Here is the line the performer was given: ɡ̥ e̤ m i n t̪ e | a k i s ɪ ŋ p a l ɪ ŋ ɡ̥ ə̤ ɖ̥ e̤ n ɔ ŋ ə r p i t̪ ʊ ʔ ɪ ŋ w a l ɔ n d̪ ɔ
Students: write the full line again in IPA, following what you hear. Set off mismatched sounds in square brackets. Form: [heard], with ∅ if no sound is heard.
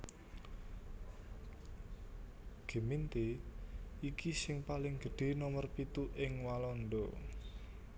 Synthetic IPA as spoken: ɡ̥ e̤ m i n t̪ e | [i] k i s ɪ ŋ p a l ɪ ŋ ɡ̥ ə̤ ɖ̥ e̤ n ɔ [m] ə r p i t̪ [u] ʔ ɪ ŋ w a l ɔ n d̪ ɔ